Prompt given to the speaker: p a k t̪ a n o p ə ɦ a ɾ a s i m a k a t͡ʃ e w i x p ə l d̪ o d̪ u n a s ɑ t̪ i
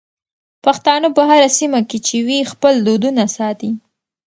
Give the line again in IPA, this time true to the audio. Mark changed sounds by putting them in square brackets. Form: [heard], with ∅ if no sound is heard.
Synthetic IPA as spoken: p a [x] t̪ [ɑ] n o p ə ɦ a ɾ a s i m a k [e] t͡ʃ e w i x p ə l d̪ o d̪ u n a s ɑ t̪ i